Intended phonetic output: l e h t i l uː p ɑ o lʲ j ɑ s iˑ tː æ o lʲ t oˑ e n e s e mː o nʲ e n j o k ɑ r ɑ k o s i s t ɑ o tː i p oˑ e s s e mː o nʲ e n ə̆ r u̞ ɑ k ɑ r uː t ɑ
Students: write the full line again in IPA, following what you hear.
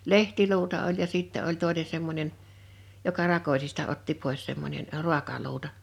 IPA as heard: l e h t i l uː t ɑ o lʲ j ɑ s iˑ tː æ o lʲ t oˑ e n e s e mː o nʲ e n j o k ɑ r ɑ k o s i s t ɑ o tː i p oˑ e s s e mː o nʲ e n ə̆ r u̞ ɑ k ɑ l uː t ɑ